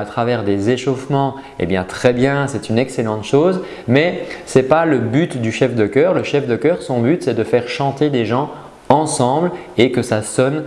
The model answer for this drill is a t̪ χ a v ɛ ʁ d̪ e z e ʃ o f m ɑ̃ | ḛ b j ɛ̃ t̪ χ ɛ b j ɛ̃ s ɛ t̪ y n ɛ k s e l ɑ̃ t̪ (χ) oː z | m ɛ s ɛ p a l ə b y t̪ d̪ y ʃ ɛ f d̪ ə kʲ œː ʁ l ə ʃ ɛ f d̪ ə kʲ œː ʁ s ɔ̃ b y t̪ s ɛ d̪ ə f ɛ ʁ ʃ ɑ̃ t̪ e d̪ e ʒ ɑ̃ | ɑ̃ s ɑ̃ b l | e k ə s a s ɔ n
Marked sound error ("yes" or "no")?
yes